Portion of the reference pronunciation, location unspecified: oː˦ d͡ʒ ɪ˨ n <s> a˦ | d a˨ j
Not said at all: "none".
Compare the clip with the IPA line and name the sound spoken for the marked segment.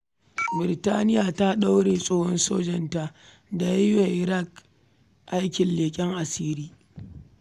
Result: t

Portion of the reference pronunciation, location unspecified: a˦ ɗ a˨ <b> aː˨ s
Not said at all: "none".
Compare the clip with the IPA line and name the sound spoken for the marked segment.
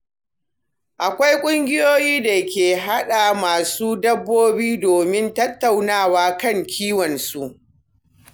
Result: m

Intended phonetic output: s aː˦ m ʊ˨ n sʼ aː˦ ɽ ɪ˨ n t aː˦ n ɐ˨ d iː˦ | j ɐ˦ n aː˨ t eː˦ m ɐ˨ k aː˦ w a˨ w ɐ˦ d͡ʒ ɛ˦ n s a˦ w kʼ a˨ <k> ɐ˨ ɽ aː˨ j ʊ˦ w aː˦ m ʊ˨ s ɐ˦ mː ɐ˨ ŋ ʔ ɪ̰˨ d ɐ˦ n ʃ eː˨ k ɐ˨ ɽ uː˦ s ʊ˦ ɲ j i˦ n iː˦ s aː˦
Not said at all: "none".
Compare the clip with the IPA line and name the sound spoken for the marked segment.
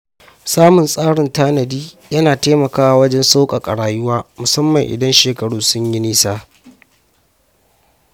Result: kʼ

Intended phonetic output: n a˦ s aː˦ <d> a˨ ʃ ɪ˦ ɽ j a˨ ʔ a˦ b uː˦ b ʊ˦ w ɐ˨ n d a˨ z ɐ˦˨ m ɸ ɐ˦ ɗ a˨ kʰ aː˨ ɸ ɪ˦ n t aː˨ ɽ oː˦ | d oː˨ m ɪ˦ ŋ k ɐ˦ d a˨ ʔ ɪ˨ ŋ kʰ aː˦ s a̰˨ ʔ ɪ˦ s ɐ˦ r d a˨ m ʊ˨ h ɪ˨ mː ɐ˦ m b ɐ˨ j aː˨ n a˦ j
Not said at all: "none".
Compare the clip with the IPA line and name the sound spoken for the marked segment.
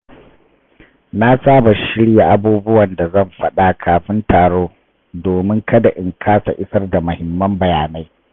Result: b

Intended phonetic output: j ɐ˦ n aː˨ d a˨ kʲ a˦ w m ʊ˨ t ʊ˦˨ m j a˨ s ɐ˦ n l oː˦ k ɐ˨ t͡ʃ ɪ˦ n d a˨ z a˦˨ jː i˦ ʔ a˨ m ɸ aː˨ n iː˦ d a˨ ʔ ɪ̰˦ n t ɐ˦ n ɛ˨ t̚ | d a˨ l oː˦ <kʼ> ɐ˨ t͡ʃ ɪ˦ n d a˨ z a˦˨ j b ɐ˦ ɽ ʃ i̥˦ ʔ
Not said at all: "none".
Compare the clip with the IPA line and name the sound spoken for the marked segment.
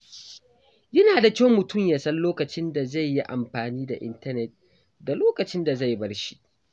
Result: k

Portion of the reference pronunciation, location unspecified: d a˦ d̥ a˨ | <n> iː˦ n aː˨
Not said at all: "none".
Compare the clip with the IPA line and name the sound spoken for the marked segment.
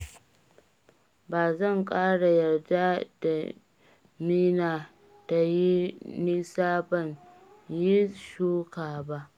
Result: m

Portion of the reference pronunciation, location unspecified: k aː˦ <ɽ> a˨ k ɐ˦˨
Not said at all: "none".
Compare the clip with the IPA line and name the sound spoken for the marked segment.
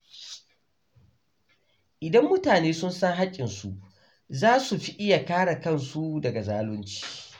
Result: ɽ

